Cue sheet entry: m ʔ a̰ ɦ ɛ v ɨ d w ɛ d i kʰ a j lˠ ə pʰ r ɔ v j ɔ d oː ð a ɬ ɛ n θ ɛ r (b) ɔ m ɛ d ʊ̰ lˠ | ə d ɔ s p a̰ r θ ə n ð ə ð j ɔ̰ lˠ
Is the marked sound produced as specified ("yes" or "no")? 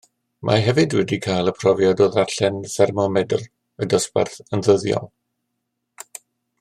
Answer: no